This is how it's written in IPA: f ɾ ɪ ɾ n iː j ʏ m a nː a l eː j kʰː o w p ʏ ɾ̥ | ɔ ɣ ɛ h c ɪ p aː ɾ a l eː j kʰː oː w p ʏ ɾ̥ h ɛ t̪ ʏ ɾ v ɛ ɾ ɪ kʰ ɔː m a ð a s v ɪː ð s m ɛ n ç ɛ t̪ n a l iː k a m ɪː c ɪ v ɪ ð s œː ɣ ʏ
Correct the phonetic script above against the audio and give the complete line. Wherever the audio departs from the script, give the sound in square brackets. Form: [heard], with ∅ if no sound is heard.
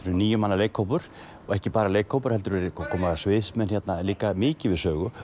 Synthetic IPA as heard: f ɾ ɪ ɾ n iː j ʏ m a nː a l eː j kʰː o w p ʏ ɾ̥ | ɔ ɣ ɛ h c ɪ p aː ɾ a l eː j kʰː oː w p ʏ ɾ̥ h ɛ t̪ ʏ ɾ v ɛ ɾ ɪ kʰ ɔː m a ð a s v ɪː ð s m ɛ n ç ɛ t̪ n a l iː k a m ɪː c ɪ v ɪ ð s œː ɣ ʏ